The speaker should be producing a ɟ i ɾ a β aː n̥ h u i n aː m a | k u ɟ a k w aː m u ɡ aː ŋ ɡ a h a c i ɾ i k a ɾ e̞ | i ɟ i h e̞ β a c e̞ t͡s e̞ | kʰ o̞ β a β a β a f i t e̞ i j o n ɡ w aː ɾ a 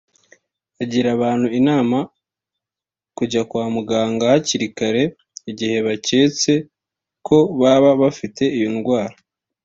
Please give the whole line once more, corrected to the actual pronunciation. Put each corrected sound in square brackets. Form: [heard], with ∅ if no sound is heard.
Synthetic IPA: a ɟ i ɾ a β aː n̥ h u i n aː m a | k u ɟ a k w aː m u ɡ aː ŋ ɡ a h a c i ɾ i k a ɾ e̞ | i ɟ i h e̞ β a c e̞ t͡s e̞ | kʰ o̞ β a β a β a f i t e̞ i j o n ɡ w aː ɾ a

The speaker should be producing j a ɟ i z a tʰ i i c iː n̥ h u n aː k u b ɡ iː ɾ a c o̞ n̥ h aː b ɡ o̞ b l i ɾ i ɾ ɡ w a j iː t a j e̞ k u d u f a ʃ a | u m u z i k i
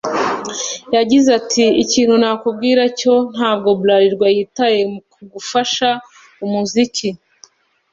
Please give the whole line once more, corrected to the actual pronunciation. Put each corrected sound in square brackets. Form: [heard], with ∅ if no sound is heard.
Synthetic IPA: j a ɟ i z a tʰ i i c iː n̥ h u n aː k u b ɡ iː ɾ a c o̞ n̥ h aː b ɡ o̞ b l [a] ɾ i ɾ ɡ w a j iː t a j e̞ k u [ɡ] u f a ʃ a | u m u z i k i

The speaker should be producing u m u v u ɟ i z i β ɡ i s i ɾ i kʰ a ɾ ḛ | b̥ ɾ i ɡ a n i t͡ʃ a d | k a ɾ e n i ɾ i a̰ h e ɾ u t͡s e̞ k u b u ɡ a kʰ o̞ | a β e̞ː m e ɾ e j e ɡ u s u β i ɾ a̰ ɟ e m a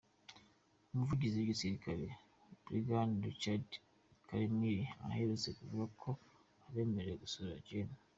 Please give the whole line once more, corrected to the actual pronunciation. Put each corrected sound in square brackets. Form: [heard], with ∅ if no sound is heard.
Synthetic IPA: u m u v u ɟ i z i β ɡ i s i ɾ i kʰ a ɾ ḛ | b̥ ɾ i ɡ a n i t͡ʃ a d | k a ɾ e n i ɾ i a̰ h e ɾ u t͡s e̞ k u [v] u ɡ a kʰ o̞ | a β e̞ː m e ɾ e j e ɡ u s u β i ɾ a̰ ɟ e [n] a

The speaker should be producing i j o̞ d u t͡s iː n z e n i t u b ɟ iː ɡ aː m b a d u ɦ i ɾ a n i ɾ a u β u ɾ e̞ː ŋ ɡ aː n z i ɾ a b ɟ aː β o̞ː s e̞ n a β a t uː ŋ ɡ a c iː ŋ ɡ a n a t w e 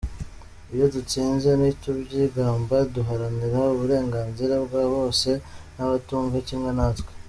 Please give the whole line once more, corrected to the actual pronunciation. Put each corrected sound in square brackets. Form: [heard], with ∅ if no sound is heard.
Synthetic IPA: i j o̞ d u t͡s iː n z e n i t u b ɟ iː ɡ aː m b a d u ɦ [a] ɾ a n i ɾ a u β u ɾ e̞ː ŋ ɡ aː n z i ɾ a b [ɡ] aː β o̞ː s e̞ n a β a t uː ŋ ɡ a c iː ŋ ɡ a n a t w e

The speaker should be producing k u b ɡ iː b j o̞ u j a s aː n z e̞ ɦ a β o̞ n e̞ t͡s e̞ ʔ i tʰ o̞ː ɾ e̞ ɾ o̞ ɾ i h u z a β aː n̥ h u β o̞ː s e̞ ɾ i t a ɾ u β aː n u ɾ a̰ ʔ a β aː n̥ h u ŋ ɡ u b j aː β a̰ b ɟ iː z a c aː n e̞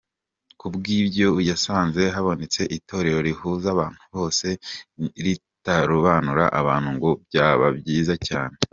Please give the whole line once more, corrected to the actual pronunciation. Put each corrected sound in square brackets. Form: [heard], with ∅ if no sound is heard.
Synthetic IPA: k u b ɡ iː b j o̞ u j a s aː n z e̞ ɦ a β o̞ n e̞ t͡s e̞ ʔ i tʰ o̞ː ɾ e̞ ɾ o̞ ɾ i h u z a β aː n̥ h u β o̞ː s e̞ ɾ i t a ɾ u β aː n u ɾ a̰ ʔ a β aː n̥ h u ŋ ɡ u b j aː β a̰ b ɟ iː z a c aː n e̞

